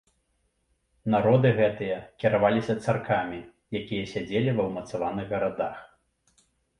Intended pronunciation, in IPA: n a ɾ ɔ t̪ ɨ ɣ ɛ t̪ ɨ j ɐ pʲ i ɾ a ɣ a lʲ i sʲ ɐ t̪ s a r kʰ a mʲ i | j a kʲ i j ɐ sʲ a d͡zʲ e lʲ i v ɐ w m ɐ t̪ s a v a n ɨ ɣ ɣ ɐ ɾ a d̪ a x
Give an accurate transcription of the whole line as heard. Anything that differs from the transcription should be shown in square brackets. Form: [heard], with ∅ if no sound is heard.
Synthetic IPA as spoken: n a ɾ ɔ [d̪] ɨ ɣ ɛ t̪ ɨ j ɐ [kʲ] i ɾ a [v] a lʲ i sʲ ɐ t̪ s a r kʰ a mʲ i | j a kʲ i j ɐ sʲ a d͡zʲ e lʲ i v ɐ w m ɐ t̪ s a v a n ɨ ɣ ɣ ɐ ɾ a d̪ a x